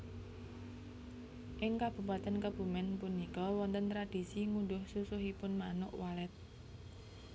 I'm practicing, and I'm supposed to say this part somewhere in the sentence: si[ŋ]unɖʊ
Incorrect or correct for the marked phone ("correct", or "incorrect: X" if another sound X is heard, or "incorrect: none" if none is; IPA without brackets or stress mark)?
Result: correct